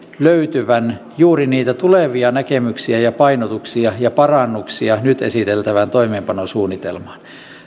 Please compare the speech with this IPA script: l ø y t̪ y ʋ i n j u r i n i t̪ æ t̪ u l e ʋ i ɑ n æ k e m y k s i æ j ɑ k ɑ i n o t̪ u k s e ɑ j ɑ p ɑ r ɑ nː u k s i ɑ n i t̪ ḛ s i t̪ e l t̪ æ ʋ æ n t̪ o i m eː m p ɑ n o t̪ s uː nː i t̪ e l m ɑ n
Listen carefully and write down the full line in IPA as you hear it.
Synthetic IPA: l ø y t̪ y ʋ æ n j uː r i n iː t̪ æ t̪ u l e ʋ i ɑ n æ k e m y k s i æ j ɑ p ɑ i n o t̪ u k s i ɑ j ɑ p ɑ r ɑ nː u k s i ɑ n y t̪ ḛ s i t̪ e l t̪ æ ʋ æ n t̪ o i m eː m p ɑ n o s uː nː i t̪ e l m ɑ n

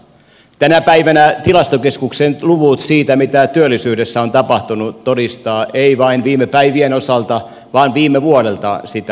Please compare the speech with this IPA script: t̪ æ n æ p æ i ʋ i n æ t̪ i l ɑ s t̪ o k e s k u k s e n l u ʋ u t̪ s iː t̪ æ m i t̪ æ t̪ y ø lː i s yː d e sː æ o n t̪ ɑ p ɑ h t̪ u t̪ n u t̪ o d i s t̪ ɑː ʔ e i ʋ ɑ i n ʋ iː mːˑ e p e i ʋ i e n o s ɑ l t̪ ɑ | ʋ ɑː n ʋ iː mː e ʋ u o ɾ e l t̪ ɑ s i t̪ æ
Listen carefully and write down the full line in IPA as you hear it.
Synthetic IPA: t̪ æ n æ p æ i ʋ æ n æ t̪ i l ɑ s t̪ o k e s k u k s e n l u ʋ u t̪ s iː t̪ æ m i t̪ æ t̪ y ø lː i s yː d e sː æ o n t̪ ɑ p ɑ h t̪ u n u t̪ o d i s t̪ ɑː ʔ e i ʋ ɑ i n ʋ iː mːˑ e p æ i ʋ i e n o s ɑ l t̪ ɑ | ʋ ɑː n ʋ iː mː e ʋ u o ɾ e l t̪ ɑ s i t̪ æ

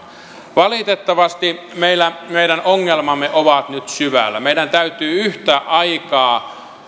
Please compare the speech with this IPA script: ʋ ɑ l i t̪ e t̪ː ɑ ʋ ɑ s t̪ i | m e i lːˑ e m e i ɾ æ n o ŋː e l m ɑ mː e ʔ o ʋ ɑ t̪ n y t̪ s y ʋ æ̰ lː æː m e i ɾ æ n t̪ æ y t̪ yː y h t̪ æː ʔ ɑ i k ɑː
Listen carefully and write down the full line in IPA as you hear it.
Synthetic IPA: ʋ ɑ l i t̪ e t̪ː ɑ ʋ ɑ s t̪ i | m e i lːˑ æ m e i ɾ æ n o ŋː e l m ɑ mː e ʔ o ʋ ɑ t̪ n y t̪ s y ʋ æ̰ lː æ m e i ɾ æ n t̪ æ y t̪ yː y h t̪ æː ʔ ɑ i k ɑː

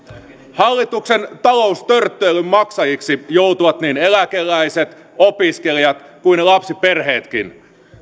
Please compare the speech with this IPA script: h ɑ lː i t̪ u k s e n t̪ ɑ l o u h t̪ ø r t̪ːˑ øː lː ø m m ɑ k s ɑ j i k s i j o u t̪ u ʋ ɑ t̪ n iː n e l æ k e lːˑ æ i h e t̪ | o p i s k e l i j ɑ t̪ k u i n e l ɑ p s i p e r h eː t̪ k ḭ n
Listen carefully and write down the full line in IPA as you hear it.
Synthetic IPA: h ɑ lː i t̪ u k s e n t̪ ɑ l o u s t̪ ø r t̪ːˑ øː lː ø m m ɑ k s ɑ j i k s i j o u t̪ u ʋ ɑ t̪ n iː n e l æ k e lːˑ æ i s e t̪ | o p i s k e l i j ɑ t̪ k u i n e l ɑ p s i p e r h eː t̪ k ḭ n

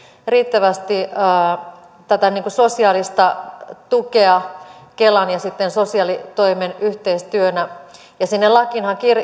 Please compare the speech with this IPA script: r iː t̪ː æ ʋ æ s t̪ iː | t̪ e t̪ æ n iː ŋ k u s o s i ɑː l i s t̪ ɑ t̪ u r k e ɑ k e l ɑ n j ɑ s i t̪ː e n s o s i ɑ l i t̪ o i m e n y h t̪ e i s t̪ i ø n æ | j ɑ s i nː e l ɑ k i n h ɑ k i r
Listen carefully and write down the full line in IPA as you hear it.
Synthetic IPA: r iː t̪ː æ ʋ æ s t̪ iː | t̪ æ t̪ æ n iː ŋ k u s o s i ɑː l i s t̪ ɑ t̪ u k e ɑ k e l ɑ n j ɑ s i t̪ː e n s o s i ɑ l i t̪ o i m e n y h t̪ e i s t̪ y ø n æ | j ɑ s i nː e l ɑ k i n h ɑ k i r

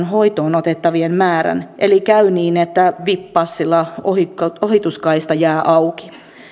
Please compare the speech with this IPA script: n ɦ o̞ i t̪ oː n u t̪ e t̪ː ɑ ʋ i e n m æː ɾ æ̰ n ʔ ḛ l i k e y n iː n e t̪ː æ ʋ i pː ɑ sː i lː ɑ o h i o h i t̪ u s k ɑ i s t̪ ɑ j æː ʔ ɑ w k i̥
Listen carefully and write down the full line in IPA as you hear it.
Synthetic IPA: n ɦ o̞ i t̪ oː n o t̪ e t̪ː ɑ ʋ i e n m æː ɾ æ̰ n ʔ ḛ l i k æ y n iː n e t̪ː æ ʋ i pː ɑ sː i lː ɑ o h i o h i t̪ u s k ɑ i s t̪ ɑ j æː ʔ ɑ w k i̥

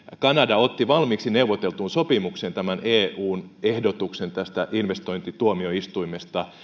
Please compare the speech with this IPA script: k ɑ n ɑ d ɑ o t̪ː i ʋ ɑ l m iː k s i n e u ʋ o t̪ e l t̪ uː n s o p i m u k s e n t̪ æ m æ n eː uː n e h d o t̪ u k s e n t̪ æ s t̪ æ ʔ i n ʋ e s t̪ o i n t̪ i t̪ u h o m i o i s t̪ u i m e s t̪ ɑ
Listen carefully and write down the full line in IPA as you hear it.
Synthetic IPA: k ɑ n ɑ d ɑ o t̪ː i ʋ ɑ l m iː k s i n e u ʋ o t̪ e l t̪ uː n s o p i m u k s e n t̪ æ m æ n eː uː n e h d o t̪ u k s e n t̪ æ s t̪ æ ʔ i n ʋ e s t̪ o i n t̪ i t̪ u o m i o i s t̪ u i m e s t̪ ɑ

